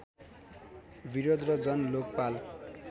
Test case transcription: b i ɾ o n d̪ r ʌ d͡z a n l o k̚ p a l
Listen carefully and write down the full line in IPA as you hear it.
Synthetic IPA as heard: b i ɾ o d̪ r ʌ d͡z ʌ n l o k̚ p a l